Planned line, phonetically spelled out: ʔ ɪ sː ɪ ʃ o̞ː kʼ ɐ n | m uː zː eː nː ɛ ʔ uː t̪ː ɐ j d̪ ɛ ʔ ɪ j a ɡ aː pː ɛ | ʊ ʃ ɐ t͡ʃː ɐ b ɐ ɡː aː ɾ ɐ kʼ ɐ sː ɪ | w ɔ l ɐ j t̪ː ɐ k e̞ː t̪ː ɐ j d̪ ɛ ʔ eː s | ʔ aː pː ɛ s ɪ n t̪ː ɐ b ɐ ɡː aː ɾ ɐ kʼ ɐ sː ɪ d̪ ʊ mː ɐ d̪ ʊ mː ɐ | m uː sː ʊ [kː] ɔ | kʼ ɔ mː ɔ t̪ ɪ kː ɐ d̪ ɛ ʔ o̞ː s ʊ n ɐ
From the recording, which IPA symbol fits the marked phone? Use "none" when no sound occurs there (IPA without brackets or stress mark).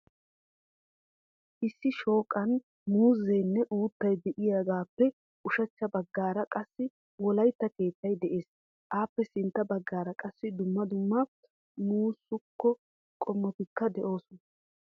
kː